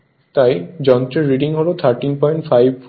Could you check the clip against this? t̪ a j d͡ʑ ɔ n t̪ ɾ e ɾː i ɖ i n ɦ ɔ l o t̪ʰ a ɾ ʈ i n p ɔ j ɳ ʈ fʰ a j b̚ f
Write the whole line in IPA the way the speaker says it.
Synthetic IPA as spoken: t̪ a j d͡ʑ ɔ n t̪ ɾ e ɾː i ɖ i ŋ ɦ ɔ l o t̪ʰ a ɾ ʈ i n p ɔ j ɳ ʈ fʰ a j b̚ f